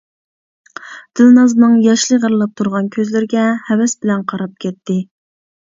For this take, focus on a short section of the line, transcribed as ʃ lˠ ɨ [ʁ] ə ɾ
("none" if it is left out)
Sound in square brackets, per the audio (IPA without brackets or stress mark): ʁ